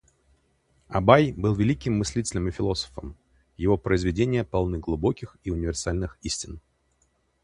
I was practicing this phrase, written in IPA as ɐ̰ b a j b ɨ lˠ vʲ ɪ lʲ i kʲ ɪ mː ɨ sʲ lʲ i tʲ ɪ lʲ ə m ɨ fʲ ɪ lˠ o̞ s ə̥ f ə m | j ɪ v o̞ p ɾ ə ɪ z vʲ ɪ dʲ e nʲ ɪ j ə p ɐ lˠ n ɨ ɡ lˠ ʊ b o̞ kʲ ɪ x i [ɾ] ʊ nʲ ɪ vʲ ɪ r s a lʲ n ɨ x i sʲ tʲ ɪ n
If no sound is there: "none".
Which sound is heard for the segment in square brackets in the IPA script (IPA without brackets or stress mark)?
none